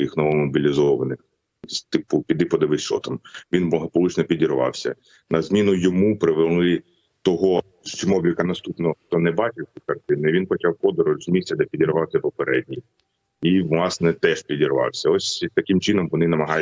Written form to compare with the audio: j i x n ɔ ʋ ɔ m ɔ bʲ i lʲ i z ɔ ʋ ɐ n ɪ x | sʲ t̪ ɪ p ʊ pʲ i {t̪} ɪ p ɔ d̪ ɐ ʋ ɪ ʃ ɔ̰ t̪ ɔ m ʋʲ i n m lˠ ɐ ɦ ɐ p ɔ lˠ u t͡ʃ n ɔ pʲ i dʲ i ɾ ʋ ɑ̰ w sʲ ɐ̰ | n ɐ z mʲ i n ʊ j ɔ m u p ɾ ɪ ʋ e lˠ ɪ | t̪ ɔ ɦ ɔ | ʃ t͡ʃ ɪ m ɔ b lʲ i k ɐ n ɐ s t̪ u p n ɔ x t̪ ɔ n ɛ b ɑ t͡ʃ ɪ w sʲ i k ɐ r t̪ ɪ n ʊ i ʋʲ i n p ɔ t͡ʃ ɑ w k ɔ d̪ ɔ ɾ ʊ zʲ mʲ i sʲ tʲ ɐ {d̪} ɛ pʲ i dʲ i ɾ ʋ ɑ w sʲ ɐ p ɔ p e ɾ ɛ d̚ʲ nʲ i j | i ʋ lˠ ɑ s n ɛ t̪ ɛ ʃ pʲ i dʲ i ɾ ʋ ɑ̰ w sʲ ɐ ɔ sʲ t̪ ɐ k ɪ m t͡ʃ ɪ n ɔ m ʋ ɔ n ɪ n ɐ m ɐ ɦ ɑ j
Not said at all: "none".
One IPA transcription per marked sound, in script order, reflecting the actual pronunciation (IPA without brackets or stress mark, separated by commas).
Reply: d̪, d̪